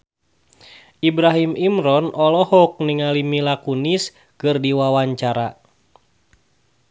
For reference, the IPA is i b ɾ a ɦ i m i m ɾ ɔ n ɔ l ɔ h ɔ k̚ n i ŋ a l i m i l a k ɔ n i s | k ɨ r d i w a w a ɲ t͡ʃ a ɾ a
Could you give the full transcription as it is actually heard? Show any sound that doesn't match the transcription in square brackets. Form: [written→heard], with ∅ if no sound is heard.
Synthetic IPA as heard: i b ɾ a ɦ i m i m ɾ ɔ n ɔ l ɔ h ɔ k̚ n i ŋ a l i m i l a k [ɔ→u] n i s | k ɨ r d i w a w a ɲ t͡ʃ a ɾ a

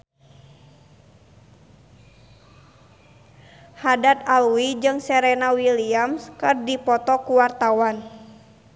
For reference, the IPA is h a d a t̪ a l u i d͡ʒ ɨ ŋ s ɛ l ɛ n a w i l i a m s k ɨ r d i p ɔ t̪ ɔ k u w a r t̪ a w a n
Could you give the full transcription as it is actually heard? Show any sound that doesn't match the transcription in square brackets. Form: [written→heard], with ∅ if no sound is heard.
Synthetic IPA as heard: h a d a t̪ a l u i d͡ʒ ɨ ŋ s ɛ [l→ɾ] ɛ n a w i l i a m s k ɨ r d i p ɔ t̪ ɔ k u w a r t̪ a w a n

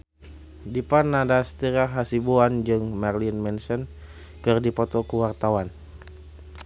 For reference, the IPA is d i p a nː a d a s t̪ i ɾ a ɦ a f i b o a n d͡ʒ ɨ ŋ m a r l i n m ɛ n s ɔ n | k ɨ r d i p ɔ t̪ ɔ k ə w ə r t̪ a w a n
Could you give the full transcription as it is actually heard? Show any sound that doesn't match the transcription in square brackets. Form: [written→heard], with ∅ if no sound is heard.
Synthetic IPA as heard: d i p a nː a d a s t̪ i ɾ a ɦ a [f→s] i b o a n d͡ʒ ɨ ŋ m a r l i n m ɛ n s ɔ n | k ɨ r d i p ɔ t̪ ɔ k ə w [ə→a] r t̪ a w a n

